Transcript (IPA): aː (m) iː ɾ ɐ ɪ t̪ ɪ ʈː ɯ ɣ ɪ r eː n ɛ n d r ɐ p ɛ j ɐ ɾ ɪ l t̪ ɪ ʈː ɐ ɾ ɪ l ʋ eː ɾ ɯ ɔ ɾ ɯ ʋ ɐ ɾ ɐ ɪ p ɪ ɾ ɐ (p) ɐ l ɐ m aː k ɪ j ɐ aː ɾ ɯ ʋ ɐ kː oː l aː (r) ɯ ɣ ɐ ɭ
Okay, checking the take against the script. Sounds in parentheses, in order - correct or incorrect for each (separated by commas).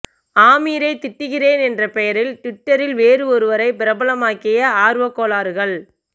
correct, incorrect, incorrect